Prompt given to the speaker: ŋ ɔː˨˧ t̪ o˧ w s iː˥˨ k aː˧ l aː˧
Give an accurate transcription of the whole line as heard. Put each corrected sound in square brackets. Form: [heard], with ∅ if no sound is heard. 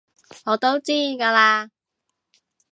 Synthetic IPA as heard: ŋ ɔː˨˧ t̪ [o˥] w [t͡s] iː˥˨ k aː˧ l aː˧